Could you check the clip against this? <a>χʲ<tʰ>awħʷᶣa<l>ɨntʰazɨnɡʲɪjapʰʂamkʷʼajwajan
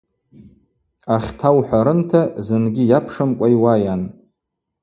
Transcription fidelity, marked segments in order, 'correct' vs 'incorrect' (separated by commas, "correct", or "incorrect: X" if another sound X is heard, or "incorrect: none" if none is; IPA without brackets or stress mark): correct, correct, incorrect: ɾ